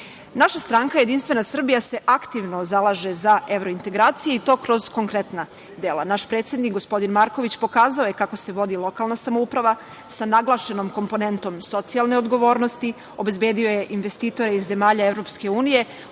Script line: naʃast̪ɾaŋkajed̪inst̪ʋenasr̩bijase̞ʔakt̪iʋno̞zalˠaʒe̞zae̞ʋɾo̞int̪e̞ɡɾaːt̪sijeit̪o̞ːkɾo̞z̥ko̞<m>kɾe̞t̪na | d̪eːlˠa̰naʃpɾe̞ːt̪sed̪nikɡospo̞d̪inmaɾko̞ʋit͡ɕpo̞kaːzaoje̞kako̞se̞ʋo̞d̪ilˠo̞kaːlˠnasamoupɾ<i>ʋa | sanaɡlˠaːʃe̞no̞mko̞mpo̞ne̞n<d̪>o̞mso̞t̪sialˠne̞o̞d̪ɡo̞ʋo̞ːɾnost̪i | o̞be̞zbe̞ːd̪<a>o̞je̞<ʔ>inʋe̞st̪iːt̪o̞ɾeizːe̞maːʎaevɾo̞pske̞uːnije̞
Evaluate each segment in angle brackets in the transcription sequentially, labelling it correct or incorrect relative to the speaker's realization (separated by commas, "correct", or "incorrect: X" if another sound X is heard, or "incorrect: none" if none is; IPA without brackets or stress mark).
incorrect: ŋ, incorrect: a, incorrect: t̪, incorrect: i, correct